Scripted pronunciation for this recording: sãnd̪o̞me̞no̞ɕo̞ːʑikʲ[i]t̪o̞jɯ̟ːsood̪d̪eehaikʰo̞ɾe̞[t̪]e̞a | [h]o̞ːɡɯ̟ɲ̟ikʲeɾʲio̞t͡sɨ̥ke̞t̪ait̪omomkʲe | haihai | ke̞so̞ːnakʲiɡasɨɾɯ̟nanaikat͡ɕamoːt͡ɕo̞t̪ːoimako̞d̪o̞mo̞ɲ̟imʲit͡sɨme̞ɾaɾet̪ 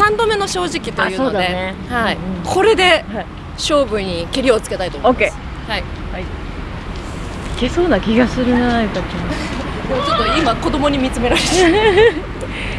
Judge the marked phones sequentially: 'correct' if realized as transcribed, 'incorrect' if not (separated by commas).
correct, incorrect, incorrect